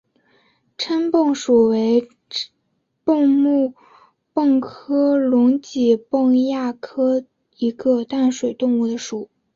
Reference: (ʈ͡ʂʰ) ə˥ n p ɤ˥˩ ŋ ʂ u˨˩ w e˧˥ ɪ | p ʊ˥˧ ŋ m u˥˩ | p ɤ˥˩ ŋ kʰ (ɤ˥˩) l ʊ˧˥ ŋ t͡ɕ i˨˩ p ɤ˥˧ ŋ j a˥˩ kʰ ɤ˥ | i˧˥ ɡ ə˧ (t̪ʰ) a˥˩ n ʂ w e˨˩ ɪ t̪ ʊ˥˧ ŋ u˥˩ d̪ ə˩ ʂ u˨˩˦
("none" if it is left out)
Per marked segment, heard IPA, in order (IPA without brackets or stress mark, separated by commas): ʈ͡ʂʰ, ɤ˥, t̪